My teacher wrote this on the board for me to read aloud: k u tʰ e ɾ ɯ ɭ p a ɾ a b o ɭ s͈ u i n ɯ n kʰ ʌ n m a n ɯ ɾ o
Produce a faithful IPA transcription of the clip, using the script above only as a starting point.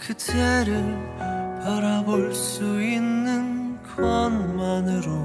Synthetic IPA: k ɯ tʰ e ɾ ɯ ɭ p a ɾ a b o ɭ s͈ u i nː ɯ n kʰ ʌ n m a n ɯ ɾ o

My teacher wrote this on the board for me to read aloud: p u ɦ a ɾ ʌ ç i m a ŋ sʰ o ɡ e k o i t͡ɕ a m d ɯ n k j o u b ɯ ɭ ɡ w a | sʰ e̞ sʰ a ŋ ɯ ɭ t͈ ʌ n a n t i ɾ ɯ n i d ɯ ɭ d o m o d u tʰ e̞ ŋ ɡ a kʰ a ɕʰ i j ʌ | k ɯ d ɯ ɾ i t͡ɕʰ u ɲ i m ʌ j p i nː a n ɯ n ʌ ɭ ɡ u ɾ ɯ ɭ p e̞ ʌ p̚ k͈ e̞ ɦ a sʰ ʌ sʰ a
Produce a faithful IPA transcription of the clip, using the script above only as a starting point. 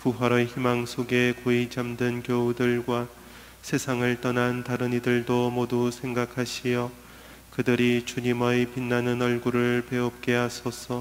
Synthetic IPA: p u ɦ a ɾ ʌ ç i m a ŋ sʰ o ɡ e k o i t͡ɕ a m d ɯ n k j o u d ɯ ɭ ɡ w a | sʰ e̞ sʰ a ŋ ɯ ɭ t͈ ʌ n a n t a ɾ ɯ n i d ɯ ɭ d o m o d u sʰ e̞ ŋ ɡ a kʰ a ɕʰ i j ʌ | k ɯ d ɯ ɾ i t͡ɕ u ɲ i m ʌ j p i nː a n ɯ n ʌ ɭ ɡ u ɾ ɯ ɭ p e̞ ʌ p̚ k͈ e̞ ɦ a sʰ ʌ sʰ ʌ

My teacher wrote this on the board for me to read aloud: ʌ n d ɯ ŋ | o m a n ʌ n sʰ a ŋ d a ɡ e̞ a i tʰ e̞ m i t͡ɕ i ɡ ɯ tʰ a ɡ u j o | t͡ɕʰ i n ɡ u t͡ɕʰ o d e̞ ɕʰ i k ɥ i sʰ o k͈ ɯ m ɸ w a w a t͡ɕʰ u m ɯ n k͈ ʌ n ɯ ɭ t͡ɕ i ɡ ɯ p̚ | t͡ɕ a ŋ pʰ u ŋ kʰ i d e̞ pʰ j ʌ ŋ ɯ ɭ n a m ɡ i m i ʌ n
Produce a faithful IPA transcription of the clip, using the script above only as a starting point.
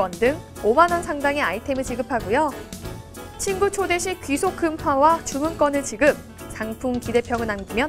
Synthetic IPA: ʌ n d ɯ ŋ | o m a n ʌ n sʰ a ŋ d a ŋ e̞ a i tʰ e̞ m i t͡ɕ i ɡ ɯ pʰ a ɡ u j o | t͡ɕʰ i n ɡ u t͡ɕʰ o d e̞ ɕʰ i k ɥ i sʰ o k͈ ɯ m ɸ w a w a t͡ɕ u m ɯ n k͈ ʌ n ɯ ɭ t͡ɕ i ɡ ɯ p̚ | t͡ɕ a ŋ pʰ u ŋ k i d e̞ pʰ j ʌ ŋ ɯ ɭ n a m ɡ i m j ʌ n

